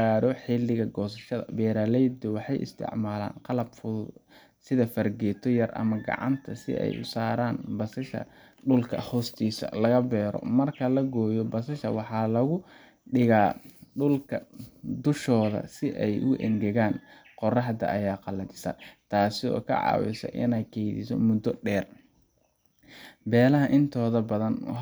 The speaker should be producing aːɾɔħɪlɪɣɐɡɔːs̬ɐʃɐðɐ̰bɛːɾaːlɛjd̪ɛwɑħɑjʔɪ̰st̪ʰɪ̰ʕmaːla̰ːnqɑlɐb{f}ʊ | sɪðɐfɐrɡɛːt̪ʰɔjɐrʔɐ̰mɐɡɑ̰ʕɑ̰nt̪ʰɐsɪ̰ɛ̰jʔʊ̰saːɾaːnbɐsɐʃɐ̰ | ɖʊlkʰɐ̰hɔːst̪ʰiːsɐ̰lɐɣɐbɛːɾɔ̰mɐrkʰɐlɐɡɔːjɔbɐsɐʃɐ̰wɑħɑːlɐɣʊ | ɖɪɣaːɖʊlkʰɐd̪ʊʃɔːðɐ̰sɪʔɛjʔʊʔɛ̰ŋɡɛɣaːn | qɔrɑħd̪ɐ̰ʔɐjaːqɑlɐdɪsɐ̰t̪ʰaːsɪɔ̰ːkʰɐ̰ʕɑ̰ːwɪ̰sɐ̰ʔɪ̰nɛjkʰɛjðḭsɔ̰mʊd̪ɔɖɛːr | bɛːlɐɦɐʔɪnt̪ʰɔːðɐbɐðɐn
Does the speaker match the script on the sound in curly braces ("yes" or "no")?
yes